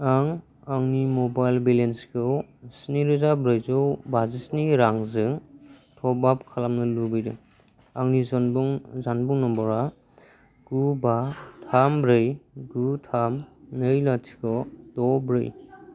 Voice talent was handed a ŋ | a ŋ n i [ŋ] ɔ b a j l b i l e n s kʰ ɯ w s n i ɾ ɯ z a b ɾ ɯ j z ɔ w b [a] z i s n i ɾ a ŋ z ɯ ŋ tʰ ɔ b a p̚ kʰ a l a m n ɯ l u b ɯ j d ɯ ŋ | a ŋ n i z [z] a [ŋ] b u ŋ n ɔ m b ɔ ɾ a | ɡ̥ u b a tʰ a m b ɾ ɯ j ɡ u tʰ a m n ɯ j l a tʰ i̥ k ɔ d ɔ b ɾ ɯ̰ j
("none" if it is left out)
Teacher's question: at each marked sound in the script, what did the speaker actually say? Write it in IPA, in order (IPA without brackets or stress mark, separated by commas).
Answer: m, a, z, n